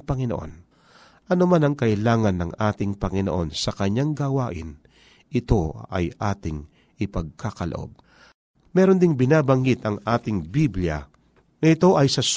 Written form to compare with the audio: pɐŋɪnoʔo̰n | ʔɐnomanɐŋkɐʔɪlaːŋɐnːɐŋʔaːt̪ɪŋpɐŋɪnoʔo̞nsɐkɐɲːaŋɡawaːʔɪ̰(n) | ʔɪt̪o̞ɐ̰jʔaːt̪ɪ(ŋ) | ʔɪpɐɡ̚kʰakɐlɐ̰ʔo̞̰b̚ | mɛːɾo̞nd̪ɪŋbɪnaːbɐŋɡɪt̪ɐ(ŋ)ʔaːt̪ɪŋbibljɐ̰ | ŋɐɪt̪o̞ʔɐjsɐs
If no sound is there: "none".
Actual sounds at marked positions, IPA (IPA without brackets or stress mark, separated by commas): n, ŋ, ŋ